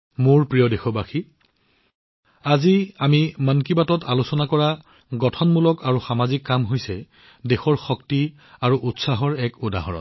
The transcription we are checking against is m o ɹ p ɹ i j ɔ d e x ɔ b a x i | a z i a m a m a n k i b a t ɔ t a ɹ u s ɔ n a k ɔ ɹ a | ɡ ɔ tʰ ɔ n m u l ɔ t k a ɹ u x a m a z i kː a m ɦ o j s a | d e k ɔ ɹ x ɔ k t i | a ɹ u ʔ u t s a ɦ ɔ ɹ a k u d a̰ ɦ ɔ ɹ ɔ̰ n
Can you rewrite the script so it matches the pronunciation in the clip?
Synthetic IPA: m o ɹ p ɹ i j ɔ d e x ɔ b a x i | a z i a m i m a n k i b a t ɔ t a l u s ɔ n a k ɔ ɹ a | ɡ ɔ tʰ ɔ n m u l ɔ k a ɹ u x a m a z i kː a m ɦ o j s ɛ | d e x ɔ ɹ x ɔ k t i | a ɹ u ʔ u t s a ɦ ɔ ɹ ɛ k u d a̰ ɦ ɔ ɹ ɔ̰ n